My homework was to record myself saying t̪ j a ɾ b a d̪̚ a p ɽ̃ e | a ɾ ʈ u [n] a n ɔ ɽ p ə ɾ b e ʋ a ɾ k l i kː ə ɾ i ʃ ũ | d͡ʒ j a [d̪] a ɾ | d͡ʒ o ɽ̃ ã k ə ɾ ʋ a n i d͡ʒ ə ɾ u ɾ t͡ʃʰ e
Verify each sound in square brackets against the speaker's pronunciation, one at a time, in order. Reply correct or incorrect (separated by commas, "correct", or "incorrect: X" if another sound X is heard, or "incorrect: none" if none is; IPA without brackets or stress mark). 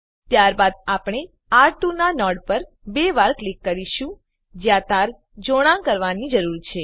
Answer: correct, incorrect: t̪